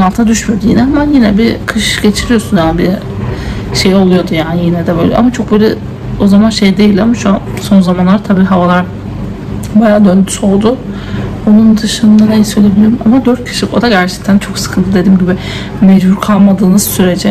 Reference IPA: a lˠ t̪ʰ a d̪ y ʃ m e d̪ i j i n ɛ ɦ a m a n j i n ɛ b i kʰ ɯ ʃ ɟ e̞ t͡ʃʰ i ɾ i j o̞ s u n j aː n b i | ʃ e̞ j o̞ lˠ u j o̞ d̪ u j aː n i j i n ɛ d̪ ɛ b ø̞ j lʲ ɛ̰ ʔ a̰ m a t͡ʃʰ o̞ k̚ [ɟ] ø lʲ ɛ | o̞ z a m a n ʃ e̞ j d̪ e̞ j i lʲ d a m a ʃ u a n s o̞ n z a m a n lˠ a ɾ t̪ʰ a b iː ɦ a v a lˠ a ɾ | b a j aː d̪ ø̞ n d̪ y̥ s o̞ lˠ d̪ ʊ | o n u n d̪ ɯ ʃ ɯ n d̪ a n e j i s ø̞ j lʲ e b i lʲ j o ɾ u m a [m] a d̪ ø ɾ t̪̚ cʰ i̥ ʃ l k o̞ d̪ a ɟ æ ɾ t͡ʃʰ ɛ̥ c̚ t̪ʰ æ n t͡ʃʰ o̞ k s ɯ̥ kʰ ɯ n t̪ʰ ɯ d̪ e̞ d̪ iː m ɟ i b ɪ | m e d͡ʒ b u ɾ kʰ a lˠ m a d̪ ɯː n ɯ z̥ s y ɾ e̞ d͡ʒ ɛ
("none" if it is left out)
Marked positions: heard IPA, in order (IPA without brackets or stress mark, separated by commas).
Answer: b, m